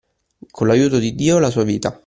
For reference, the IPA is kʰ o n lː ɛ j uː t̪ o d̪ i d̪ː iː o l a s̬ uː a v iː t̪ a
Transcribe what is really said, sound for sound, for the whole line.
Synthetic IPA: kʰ o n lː a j uː t̪ o d̪ i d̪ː iː o l a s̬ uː a v iː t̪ a